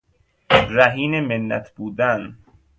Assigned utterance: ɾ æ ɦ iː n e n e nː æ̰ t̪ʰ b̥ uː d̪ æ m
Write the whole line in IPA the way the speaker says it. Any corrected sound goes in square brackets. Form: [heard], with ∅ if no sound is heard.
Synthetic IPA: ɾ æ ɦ iː n e [m] e nː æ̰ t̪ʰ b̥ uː d̪ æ [n]